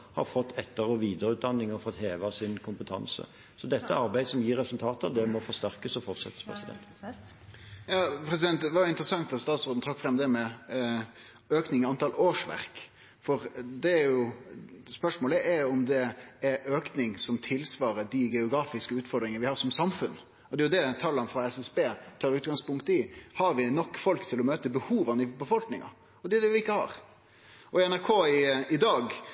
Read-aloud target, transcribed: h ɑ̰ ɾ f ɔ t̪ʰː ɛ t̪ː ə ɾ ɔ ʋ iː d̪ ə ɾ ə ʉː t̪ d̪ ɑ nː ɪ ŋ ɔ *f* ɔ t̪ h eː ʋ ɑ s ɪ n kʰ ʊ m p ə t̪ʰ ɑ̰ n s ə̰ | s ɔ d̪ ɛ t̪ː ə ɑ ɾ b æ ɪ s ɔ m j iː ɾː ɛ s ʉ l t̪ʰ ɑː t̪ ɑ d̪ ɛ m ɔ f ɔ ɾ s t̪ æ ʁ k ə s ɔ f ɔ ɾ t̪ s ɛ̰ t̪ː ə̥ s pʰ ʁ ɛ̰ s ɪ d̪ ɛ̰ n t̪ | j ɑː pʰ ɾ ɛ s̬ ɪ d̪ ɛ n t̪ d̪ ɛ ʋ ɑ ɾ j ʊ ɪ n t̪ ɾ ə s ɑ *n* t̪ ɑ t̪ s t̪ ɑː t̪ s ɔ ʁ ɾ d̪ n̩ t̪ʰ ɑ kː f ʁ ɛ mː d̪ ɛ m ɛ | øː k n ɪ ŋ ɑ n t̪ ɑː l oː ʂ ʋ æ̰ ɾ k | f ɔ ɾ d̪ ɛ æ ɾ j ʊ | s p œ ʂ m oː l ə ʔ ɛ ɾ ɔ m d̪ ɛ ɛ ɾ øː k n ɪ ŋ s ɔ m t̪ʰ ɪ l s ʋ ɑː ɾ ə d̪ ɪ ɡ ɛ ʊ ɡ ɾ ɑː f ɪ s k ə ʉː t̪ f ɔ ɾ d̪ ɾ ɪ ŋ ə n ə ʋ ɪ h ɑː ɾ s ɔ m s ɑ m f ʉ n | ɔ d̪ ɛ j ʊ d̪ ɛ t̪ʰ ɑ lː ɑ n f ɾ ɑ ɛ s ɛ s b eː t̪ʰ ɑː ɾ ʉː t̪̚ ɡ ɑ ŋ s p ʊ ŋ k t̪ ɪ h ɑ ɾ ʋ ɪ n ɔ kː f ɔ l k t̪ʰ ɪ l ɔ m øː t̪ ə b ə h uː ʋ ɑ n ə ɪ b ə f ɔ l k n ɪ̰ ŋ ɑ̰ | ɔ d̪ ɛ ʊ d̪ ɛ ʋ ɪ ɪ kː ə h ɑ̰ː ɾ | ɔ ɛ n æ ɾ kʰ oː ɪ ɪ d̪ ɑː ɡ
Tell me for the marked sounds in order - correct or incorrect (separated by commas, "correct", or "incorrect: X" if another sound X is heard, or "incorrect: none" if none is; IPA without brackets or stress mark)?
correct, incorrect: ŋ